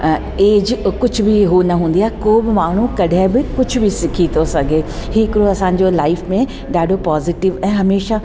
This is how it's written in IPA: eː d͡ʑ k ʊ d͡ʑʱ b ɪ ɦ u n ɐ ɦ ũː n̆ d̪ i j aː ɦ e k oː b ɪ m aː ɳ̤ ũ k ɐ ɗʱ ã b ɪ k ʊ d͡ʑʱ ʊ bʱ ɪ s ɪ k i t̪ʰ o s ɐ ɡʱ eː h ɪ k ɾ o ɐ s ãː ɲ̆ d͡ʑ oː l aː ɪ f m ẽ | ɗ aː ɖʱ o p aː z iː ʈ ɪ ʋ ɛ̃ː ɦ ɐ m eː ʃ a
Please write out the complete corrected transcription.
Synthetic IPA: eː d͡ʑ k ʊ d͡ʑʱ b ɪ ɦ u n ɐ ɦ ũː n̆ d̪ i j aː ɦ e k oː b ɪ m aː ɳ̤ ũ k ɐ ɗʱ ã b ɪ k ʊ d͡ʑʱ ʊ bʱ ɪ s ɪ kʰ i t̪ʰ o s ɐ ɡʱ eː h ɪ k ɾ o ɐ s ãː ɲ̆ d͡ʑ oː l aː ɪ f m ẽ | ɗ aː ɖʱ o p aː z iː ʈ ɪ ʋ ɛ̃ː ɦ ɐ m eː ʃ a